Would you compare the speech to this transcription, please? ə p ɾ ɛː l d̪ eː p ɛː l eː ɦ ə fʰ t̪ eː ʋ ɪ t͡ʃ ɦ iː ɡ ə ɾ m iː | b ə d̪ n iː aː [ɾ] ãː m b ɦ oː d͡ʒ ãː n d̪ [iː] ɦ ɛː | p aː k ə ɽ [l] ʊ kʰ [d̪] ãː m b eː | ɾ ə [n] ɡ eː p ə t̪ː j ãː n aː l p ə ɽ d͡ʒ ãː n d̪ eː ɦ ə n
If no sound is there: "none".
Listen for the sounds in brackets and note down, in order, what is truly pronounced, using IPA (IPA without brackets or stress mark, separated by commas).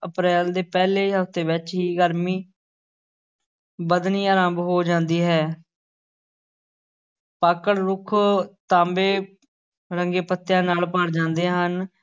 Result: ɾ, iː, ɾ, t̪, ŋ